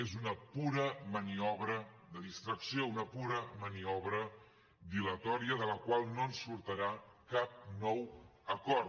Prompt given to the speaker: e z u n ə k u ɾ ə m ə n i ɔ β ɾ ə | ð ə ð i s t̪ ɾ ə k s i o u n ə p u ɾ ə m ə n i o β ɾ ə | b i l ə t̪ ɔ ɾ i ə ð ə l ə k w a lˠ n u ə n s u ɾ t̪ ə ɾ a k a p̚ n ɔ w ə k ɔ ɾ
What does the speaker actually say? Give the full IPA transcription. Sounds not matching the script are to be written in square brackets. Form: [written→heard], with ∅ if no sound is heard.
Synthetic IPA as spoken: e z u n ə [k→p] u ɾ ə m ə n i ɔ β ɾ ə | ð ə ð i s t̪ ɾ ə k s i o u n ə p u ɾ ə m ə n i [o→ɔ] β ɾ ə | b i l ə t̪ ɔ ɾ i ə ð ə l ə k w a lˠ n [u→o] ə n s u ɾ t̪ ə ɾ a k a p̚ n ɔ w ə k ɔ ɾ

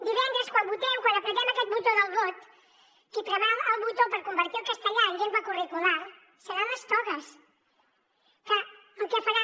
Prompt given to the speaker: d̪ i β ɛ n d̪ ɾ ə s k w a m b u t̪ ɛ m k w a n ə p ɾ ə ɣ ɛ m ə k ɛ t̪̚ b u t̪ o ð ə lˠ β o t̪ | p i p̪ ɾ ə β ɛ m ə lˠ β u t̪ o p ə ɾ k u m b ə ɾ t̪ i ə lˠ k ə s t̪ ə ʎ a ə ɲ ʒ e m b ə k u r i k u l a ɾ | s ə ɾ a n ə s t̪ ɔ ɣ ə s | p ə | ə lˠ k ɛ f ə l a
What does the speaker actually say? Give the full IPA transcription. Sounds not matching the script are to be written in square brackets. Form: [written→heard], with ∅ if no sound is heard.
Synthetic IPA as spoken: d̪ i β ɛ n d̪ ɾ ə s k w a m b u t̪ ɛ m k w a n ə p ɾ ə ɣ ɛ m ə k ɛ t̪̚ b u t̪ o ð ə lˠ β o t̪ | [p→k] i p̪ ɾ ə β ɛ m ə lˠ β u t̪ o p ə ɾ k u m b ə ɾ t̪ i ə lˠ k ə s t̪ ə ʎ a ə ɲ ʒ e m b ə k u r i k u l a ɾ | s ə ɾ a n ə s t̪ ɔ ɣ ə s | [p→k] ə | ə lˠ k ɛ f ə [l→ɾ] a

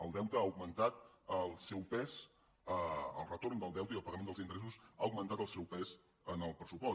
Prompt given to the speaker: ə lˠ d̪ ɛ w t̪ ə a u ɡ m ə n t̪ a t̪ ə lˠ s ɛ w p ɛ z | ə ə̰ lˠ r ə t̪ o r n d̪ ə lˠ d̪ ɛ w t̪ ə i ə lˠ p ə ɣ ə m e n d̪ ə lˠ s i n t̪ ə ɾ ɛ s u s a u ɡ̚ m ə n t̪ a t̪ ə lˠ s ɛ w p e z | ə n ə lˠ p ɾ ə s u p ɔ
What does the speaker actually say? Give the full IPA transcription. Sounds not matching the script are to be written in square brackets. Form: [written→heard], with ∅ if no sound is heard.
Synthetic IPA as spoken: ə lˠ d̪ ɛ w t̪ ə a u ɡ m ə n t̪ a t̪ ə lˠ s ɛ w p ɛ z | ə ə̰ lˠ r ə t̪ o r n d̪ ə lˠ d̪ ɛ w t̪ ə i ə lˠ p ə ɣ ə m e n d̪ ə lˠ [s→z] i n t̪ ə ɾ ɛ s u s a u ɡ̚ m ə n t̪ a t̪ ə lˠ s ɛ w p [e→ɛ] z | ə n ə lˠ p ɾ ə s u p ɔ

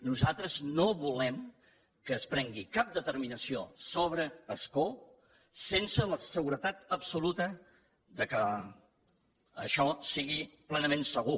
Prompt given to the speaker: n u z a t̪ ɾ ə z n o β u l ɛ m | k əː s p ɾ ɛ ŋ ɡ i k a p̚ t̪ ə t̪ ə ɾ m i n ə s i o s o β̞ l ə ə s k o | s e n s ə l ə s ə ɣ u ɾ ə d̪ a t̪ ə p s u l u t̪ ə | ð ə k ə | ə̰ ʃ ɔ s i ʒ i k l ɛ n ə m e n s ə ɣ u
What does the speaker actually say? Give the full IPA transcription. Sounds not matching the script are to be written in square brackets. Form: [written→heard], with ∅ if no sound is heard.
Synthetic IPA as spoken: n u z a t̪ ɾ ə z n o β u l ɛ m | k əː s p ɾ ɛ ŋ ɡ i k a p̚ [t̪→d̪] ə t̪ ə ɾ m i n ə s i o s o β̞ [l→ɾ] ə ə s k o | s e n s ə l ə s ə ɣ u ɾ ə [d̪→t̪] a t̪ ə p s u l u t̪ ə | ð ə k ə | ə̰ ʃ ɔ s i [ʒ→ɣ] i [k→p] l ɛ n ə m e n s ə ɣ u

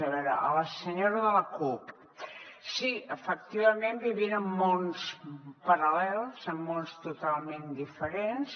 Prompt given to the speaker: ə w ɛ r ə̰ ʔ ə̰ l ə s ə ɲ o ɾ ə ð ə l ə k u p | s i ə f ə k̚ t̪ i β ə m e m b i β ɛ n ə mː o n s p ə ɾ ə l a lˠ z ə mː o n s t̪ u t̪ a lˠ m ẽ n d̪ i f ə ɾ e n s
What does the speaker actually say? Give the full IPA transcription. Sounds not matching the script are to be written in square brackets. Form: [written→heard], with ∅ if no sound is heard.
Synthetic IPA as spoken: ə [w→β] ɛ [r→ɾ] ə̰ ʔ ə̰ l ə s ə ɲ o ɾ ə ð ə l ə k u p | s i ə f ə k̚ t̪ i β ə m e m b i β [ɛ→i] n ə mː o n s p ə ɾ ə l [a→ɛ] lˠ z ə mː o n s t̪ u t̪ a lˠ m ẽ n d̪ i f ə ɾ e n s

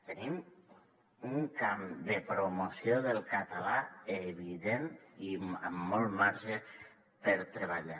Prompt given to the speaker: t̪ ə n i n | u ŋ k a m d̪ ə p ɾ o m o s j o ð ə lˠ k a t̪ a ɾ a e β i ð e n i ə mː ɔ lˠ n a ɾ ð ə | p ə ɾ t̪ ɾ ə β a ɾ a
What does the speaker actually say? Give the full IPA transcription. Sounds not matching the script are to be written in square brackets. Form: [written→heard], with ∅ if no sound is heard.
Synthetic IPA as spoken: t̪ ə n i [n→m] | u ŋ k a m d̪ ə p ɾ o m o s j o ð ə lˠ k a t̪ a [ɾ→l] a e β i ð e n i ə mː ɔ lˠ [n→m] a ɾ [ð→ʒ] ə | p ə ɾ t̪ ɾ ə β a [ɾ→ʎ] a

